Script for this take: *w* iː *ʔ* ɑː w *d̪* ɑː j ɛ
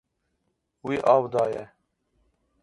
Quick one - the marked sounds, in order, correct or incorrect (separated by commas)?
correct, correct, correct